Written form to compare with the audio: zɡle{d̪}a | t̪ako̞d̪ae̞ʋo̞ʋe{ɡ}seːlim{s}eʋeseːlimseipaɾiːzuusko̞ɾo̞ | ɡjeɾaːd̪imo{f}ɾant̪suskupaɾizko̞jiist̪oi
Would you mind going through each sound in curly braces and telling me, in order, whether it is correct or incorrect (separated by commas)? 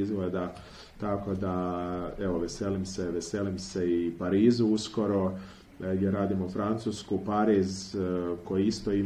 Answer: correct, incorrect, correct, correct